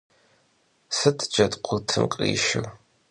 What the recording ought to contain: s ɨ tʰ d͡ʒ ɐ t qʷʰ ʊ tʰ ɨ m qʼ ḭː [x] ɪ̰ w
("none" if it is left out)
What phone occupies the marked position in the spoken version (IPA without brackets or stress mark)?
ʃ